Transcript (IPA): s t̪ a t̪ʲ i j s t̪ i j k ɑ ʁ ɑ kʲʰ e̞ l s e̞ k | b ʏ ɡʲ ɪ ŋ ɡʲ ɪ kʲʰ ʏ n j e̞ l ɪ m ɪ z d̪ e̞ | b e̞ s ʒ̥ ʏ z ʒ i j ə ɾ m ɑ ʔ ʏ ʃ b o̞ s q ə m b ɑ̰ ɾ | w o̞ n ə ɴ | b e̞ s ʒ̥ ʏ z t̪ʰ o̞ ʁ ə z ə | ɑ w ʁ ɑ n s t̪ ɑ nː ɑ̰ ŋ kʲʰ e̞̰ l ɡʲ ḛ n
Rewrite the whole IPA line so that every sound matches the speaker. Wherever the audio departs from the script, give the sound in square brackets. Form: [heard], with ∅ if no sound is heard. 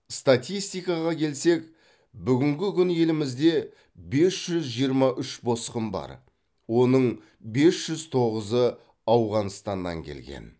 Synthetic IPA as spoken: s t̪ a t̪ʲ i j s t̪ i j k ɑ ʁ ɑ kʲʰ e̞ l s e̞ k | b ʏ ɡʲ ɪ ŋ ɡʲ ɪ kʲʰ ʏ n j e̞ l ɪ m ɪ z d̪ e̞ | b e̞ s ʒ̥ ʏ z ʒ i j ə ɾ m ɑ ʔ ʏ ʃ b o̞ s q ə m b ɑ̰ ɾ | w o̞ n ə ɴ | b e̞ s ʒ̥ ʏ z t̪ʰ o̞ ʁ ə z ə | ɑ w ʁ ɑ n s t̪ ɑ nː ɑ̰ ŋ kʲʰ e̞̰ l ɡʲ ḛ n